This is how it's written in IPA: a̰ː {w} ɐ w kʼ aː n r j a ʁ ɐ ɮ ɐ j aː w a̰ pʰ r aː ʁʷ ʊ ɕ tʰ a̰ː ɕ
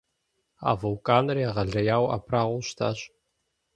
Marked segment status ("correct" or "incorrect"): incorrect